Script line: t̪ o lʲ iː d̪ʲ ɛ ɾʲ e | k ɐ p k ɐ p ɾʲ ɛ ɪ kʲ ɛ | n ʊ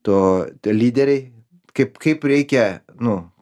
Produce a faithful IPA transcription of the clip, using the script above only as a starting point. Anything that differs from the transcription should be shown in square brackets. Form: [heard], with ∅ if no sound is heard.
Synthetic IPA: t̪ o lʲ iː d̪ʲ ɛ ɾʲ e | k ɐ p k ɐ p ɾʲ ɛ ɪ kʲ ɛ | n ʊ